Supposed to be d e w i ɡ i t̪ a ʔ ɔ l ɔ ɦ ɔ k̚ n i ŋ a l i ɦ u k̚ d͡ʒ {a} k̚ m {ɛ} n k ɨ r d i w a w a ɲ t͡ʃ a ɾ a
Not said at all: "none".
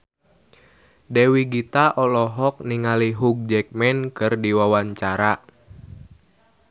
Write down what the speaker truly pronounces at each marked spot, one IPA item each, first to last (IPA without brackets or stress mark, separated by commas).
ɛ, ɛ